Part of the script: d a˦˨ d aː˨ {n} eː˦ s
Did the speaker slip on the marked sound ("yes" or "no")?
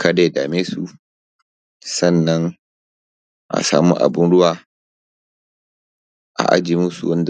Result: yes